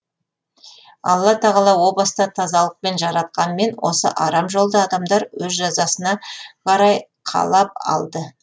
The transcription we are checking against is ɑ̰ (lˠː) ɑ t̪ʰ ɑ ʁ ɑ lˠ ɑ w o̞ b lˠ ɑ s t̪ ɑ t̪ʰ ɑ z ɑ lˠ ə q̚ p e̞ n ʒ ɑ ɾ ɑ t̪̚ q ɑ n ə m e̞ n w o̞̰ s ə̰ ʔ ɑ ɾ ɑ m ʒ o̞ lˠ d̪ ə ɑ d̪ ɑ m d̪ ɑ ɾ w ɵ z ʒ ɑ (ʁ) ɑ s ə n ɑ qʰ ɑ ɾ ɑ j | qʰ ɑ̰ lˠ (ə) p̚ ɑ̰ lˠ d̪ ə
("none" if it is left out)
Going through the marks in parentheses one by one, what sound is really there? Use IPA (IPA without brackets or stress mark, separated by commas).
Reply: lˠː, z, ɑ